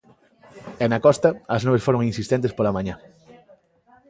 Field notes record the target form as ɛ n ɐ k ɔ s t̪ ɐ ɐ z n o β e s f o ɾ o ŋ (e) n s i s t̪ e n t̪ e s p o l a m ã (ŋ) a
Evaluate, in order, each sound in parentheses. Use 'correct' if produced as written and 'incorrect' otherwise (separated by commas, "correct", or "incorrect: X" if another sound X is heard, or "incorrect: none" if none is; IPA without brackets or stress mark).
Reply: incorrect: i, incorrect: ɲ